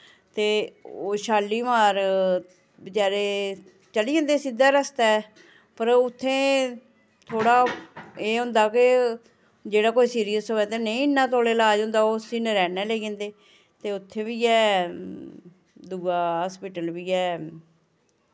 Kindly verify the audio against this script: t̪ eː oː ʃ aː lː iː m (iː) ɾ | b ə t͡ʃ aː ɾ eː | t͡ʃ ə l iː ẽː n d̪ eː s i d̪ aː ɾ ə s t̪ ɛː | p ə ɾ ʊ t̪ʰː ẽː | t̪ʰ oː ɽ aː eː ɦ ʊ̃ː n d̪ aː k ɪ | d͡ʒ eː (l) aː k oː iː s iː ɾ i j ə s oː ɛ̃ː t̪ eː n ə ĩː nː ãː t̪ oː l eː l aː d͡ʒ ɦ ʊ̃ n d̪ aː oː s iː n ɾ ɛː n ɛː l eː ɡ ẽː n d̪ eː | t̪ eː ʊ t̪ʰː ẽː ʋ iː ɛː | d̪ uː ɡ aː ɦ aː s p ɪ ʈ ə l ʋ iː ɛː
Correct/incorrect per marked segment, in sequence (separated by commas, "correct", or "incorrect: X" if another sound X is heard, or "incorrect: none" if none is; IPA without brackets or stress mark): incorrect: aː, incorrect: ɽ